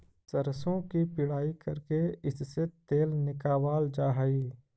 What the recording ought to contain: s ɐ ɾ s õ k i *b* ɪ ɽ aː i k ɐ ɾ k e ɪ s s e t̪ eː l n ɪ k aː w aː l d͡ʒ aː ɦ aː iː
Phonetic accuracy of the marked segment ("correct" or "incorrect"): incorrect